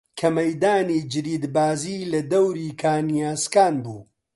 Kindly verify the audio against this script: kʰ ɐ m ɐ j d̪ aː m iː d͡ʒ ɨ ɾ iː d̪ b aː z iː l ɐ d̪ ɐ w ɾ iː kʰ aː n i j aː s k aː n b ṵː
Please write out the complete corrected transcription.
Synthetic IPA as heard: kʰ ɐ m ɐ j d̪ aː n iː d͡ʒ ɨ ɾ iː d̪ b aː z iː l ɐ d̪ ɐ w ɾ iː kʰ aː n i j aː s k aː n b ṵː